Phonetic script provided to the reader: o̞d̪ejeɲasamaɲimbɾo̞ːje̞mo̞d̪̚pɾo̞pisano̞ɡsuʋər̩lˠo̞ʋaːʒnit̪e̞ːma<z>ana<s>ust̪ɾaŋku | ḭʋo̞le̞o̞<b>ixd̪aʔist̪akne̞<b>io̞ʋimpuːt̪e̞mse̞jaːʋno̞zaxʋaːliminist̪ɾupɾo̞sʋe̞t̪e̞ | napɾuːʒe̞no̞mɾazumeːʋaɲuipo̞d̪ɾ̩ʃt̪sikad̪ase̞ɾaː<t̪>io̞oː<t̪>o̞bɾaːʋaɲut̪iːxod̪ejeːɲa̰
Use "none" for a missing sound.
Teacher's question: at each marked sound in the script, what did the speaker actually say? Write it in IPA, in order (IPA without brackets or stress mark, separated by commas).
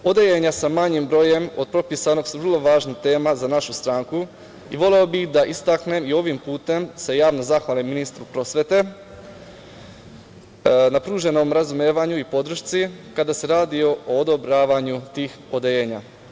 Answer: z, ʃ, b, m, d̪, d̪